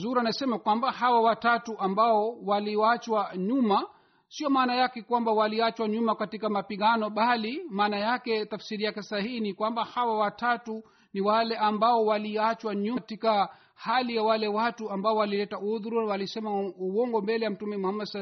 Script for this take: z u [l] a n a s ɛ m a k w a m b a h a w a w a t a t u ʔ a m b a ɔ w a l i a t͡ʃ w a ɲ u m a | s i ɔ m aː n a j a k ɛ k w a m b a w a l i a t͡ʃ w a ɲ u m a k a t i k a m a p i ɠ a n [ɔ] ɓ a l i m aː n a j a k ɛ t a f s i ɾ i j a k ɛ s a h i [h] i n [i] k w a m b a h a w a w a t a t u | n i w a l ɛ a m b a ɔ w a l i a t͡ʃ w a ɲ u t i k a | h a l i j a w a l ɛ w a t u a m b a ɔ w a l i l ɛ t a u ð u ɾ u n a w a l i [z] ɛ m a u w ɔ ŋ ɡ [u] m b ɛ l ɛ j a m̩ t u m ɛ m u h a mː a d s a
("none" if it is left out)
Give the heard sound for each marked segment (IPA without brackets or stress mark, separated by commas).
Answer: ɾ, ɔ, h, i, s, ɔ